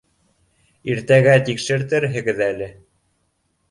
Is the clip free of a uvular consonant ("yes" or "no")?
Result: yes